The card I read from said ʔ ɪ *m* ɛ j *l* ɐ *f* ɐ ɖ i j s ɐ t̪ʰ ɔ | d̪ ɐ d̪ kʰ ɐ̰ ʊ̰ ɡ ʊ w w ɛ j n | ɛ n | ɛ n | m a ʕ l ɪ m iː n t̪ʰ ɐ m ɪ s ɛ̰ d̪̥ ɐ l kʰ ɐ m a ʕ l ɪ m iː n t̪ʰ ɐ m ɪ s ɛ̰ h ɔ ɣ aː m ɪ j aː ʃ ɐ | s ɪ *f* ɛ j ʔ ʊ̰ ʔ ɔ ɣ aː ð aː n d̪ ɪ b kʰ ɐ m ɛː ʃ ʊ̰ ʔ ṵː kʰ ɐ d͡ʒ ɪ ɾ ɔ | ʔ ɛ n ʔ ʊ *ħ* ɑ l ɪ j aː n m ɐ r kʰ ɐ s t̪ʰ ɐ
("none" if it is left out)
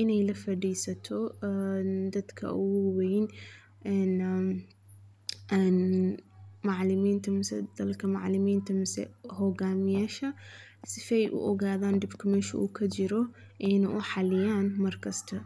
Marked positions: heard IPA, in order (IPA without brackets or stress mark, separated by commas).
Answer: n, l, f, f, ħ